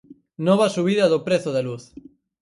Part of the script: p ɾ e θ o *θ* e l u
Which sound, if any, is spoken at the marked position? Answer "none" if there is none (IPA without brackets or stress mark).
ð